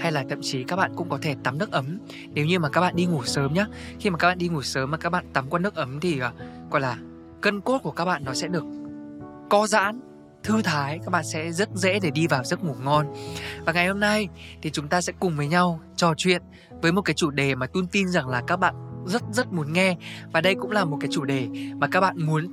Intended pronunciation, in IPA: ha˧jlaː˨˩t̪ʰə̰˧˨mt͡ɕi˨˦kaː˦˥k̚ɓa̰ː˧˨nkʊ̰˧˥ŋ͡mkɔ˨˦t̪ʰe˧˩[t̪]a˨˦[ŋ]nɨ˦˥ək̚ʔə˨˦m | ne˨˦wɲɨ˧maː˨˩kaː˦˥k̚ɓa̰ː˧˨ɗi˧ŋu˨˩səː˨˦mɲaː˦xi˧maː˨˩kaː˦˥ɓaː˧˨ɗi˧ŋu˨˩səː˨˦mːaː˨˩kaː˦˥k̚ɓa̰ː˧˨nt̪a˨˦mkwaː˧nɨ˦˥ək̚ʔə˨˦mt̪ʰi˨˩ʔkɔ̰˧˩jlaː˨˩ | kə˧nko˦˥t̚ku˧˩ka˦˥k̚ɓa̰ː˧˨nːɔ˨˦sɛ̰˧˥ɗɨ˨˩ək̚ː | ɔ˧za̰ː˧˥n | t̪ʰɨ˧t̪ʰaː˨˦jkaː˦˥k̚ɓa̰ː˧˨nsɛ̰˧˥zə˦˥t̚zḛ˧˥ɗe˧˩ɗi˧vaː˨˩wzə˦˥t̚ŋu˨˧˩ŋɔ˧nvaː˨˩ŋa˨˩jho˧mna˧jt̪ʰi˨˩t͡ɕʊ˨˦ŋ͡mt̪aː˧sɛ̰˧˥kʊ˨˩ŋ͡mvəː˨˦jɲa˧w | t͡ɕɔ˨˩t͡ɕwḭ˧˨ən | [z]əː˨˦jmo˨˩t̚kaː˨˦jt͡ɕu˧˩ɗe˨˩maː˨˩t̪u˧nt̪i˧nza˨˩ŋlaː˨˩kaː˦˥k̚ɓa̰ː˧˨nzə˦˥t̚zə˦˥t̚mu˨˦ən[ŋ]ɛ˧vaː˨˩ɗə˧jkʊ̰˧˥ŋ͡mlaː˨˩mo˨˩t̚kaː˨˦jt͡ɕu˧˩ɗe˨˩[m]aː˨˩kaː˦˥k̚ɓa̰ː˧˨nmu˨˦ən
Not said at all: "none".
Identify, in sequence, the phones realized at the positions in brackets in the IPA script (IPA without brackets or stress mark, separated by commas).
t̪, m, v, ŋ, m